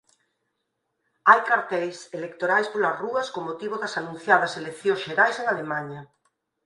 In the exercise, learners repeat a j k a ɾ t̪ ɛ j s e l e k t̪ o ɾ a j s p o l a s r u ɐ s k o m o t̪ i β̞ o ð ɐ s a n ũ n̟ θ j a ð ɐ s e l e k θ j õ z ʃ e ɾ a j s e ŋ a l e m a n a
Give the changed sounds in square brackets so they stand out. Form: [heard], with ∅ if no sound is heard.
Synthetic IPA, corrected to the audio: a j k a ɾ t̪ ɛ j s e l e k t̪ o ɾ a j s p o l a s r u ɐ s k o m o t̪ i β̞ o ð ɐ s a n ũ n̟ θ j a ð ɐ s e l e k θ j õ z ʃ e ɾ a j s e ŋ a l e m a [ɲ] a